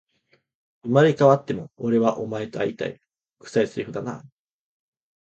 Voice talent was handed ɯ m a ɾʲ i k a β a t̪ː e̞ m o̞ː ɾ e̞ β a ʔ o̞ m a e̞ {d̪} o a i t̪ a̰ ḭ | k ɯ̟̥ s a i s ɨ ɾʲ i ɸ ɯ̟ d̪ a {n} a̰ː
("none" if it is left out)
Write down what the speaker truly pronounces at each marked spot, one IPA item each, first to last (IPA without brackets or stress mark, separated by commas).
t̪, n